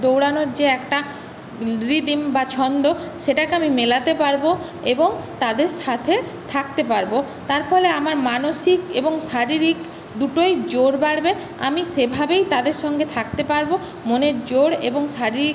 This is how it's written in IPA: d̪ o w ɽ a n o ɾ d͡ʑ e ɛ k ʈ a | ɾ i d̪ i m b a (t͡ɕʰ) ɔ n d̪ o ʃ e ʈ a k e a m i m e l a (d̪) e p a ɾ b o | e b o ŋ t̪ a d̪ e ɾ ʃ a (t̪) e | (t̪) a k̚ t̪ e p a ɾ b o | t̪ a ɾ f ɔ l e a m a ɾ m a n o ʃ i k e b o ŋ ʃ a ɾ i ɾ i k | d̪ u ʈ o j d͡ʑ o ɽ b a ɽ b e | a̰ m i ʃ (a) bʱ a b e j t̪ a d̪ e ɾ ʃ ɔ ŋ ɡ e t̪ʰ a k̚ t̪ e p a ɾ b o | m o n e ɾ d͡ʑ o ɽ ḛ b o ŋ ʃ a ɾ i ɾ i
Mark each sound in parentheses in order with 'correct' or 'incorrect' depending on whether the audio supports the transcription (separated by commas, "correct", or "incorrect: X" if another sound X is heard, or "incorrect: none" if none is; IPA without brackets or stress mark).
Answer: correct, incorrect: t̪, incorrect: t̪ʰ, incorrect: t̪ʰ, incorrect: e